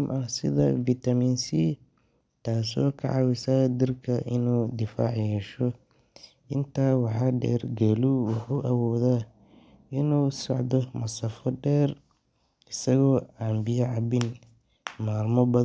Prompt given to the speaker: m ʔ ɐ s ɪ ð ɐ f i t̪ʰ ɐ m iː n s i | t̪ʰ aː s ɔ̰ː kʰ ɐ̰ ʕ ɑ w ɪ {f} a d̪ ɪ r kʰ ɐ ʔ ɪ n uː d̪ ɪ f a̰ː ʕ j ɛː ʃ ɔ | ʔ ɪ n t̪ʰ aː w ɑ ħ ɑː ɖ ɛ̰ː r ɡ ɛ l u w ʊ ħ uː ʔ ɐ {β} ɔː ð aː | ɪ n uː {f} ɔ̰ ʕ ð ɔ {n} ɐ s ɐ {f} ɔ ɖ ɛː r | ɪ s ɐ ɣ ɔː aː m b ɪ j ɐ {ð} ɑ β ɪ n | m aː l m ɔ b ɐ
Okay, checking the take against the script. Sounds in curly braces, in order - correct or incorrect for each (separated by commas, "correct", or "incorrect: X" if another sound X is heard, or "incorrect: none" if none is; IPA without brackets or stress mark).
incorrect: s, incorrect: w, incorrect: s, incorrect: m, correct, incorrect: ʕ